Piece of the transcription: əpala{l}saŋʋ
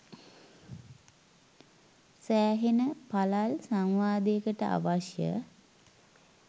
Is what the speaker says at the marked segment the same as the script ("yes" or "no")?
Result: yes